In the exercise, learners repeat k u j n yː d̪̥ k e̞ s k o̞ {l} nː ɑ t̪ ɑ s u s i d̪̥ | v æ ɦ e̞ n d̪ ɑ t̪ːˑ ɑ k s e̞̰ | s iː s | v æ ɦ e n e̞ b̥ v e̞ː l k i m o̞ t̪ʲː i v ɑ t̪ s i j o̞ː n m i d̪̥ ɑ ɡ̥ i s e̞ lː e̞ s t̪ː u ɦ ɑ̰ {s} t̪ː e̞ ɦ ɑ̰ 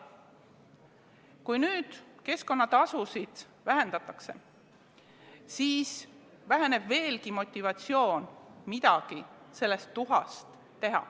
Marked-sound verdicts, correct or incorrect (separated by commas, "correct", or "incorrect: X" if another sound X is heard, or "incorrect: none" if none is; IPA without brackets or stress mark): incorrect: none, correct